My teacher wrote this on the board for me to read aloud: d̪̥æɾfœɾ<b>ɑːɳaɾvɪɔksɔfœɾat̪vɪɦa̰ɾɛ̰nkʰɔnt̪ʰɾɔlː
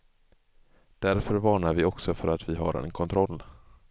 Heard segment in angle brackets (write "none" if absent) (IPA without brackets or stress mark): v